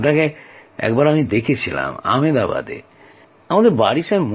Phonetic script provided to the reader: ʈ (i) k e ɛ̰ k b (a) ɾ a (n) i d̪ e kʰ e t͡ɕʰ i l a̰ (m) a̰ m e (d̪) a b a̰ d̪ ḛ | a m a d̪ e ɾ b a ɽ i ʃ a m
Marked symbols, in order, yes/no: no, yes, no, yes, yes

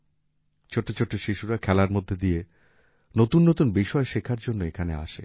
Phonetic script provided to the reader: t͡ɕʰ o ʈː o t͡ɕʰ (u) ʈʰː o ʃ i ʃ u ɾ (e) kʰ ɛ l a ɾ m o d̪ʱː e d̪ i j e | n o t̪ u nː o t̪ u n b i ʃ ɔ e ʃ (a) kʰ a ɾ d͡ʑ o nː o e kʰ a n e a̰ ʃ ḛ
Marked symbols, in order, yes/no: no, no, no

